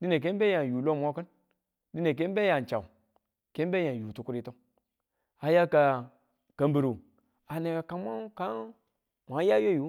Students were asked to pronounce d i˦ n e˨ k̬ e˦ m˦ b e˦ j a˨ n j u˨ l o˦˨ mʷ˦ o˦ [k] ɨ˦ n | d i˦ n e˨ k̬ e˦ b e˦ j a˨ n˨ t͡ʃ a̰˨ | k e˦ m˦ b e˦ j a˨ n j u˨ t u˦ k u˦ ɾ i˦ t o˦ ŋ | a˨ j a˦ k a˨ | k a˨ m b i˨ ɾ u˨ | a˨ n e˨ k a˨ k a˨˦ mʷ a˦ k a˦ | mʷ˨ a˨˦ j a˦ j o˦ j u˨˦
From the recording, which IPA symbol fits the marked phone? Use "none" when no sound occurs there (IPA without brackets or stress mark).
k